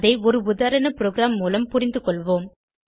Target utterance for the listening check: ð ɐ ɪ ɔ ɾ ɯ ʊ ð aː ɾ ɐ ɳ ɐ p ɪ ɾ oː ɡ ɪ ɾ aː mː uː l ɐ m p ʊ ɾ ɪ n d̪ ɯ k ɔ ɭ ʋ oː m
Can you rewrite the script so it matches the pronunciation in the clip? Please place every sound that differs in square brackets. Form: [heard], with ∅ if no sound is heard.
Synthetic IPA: ð ɐ ɪ ɔ ɾ ɯ ʊ ð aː ɾ ɐ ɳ ɐ p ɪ ɾ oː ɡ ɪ ɾ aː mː uː l ɐ m p ʊ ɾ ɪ n d̪ ɯ k ɔ ɭ ʋ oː m